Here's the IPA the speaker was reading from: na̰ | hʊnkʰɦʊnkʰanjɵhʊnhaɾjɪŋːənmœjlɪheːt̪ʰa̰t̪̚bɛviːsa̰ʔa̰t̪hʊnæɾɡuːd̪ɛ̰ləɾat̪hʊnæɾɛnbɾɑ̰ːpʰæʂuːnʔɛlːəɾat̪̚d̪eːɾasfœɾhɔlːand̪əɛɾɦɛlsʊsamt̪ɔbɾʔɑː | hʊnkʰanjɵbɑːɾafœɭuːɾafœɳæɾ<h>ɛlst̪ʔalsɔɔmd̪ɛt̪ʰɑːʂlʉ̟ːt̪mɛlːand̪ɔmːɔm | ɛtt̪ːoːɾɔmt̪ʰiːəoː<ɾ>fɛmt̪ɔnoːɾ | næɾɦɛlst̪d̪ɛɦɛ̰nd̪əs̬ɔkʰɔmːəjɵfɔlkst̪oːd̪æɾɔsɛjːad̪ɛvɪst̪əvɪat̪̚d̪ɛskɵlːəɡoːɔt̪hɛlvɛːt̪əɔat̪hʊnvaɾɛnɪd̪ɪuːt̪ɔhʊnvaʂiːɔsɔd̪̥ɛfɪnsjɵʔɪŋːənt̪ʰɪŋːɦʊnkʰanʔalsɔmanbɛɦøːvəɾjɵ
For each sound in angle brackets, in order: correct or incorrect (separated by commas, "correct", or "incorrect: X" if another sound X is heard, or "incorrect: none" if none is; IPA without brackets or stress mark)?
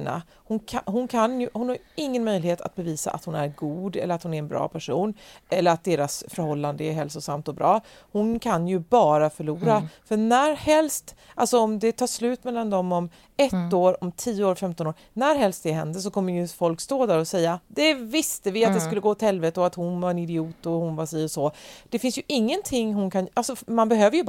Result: correct, correct